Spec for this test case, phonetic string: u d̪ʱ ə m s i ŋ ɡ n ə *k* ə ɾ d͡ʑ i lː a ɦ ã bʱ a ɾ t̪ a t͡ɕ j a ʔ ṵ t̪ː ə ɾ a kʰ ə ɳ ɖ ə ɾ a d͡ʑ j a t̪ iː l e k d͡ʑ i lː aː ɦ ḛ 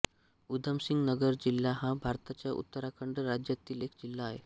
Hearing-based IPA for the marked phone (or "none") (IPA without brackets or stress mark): ɡ